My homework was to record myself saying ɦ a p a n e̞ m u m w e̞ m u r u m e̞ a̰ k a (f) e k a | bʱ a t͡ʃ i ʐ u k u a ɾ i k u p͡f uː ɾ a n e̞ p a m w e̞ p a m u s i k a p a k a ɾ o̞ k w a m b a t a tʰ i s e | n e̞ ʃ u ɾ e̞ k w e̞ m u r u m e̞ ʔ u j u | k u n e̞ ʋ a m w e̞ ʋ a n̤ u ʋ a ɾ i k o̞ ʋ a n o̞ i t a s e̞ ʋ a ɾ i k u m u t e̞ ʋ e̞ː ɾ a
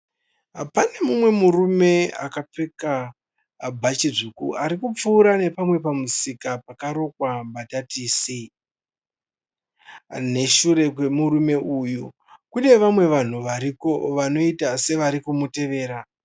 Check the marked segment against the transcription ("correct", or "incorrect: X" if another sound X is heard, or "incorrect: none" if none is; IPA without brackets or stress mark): incorrect: p͡f